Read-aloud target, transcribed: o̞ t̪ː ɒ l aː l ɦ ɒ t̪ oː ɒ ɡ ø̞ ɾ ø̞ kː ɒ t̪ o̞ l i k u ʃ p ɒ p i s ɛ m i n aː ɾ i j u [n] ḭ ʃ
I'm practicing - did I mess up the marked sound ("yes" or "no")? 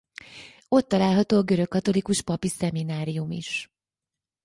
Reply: yes